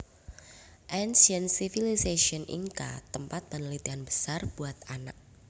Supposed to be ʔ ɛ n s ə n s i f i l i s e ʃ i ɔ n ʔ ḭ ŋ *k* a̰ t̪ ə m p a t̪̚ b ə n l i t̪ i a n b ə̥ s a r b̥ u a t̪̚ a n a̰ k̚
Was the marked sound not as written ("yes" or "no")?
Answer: no